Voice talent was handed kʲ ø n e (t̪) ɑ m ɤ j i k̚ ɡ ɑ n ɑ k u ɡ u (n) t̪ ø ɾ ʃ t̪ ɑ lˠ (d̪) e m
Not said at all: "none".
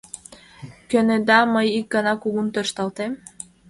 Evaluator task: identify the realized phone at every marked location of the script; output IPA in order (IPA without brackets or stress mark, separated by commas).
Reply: d̪, n, t̪